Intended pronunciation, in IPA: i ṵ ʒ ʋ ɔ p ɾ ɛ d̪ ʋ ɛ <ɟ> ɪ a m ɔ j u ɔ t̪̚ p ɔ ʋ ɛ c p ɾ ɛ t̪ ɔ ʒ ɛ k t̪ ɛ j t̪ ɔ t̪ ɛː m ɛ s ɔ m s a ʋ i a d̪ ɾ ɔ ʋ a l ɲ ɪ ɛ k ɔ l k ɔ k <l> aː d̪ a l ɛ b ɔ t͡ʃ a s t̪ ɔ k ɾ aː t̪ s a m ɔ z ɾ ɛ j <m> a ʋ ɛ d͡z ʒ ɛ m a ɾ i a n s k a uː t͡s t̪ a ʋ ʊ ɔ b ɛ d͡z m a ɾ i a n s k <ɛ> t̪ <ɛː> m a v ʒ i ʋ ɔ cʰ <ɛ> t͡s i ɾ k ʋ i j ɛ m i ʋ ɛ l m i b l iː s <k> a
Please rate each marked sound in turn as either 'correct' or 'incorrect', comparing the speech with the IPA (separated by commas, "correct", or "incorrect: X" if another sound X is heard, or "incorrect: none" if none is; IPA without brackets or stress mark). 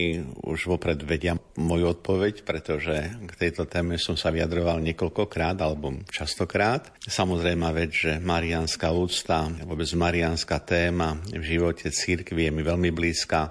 correct, incorrect: ɾ, correct, incorrect: a, correct, correct, correct